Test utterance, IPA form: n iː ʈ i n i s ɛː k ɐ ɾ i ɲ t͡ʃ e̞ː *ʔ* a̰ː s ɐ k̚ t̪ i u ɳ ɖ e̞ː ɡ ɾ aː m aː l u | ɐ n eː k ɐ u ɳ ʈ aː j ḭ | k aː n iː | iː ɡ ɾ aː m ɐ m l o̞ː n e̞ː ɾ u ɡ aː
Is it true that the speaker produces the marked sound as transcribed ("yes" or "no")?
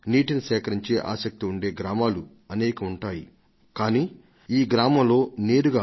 yes